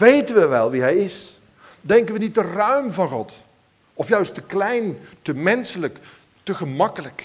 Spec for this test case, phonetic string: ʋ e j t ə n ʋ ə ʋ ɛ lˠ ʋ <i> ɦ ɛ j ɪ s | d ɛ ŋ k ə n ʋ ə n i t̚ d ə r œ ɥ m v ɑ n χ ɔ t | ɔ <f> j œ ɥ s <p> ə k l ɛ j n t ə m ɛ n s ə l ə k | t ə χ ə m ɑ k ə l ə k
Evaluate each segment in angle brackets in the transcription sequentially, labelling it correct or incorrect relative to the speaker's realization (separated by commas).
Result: correct, correct, incorrect